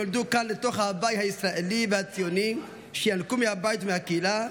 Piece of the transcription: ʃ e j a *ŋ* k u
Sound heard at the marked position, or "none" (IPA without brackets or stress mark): n